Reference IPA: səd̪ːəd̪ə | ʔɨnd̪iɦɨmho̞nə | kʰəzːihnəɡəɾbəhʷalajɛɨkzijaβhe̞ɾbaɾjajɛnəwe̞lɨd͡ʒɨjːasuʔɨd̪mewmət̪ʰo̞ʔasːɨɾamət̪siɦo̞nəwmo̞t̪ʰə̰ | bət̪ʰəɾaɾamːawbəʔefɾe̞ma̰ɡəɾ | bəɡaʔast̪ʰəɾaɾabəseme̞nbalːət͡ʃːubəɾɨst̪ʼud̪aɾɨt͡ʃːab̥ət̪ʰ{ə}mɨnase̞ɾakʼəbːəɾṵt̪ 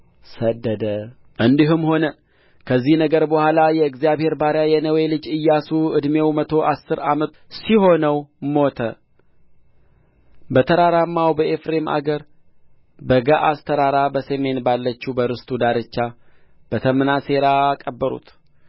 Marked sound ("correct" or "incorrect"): correct